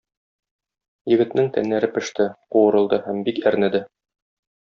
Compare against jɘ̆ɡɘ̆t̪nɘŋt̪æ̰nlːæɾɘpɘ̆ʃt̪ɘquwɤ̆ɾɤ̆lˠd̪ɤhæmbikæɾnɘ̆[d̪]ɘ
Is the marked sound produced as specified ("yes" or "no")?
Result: yes